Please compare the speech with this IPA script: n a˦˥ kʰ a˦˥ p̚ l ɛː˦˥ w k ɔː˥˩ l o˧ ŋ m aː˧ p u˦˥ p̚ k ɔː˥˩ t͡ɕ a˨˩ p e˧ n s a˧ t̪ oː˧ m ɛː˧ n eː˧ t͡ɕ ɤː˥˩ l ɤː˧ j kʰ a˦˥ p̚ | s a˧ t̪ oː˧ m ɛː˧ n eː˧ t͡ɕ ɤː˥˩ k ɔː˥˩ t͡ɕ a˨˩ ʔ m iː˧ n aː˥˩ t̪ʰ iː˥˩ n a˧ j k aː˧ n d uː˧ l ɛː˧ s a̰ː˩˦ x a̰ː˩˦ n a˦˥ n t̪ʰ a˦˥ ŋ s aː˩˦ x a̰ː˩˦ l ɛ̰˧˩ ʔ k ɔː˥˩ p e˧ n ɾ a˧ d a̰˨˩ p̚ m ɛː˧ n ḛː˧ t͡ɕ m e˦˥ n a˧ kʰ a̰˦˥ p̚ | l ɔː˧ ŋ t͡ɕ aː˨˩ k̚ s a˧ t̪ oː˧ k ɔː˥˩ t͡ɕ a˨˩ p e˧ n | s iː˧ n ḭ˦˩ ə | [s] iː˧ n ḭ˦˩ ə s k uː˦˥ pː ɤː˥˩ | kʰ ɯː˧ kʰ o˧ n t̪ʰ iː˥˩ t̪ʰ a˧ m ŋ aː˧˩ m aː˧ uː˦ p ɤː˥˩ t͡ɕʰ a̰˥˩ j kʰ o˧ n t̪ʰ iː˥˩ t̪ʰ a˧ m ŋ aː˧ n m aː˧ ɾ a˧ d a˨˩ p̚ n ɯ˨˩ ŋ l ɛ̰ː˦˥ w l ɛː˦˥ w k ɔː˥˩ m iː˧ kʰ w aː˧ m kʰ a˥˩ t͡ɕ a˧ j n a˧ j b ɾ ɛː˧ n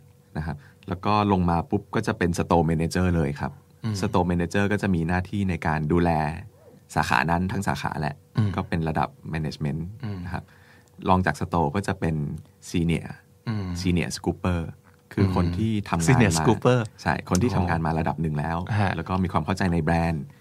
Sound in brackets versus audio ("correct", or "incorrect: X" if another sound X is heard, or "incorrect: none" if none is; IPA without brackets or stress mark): correct